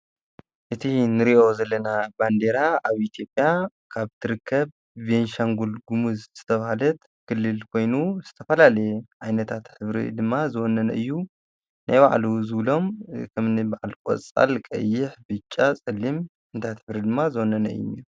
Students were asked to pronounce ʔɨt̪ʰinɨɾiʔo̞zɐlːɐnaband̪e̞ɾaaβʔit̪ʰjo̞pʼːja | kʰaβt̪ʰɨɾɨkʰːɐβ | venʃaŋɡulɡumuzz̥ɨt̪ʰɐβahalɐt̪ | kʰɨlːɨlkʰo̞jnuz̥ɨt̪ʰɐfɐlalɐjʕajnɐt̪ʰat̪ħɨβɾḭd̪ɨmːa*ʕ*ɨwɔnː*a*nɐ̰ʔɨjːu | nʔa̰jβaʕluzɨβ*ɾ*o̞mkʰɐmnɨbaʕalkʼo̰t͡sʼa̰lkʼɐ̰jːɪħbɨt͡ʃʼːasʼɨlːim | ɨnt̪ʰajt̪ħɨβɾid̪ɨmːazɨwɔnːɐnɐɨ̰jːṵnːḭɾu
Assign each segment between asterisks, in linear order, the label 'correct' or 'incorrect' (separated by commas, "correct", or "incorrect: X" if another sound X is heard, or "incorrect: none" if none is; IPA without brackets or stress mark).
incorrect: z, incorrect: ɐ, incorrect: l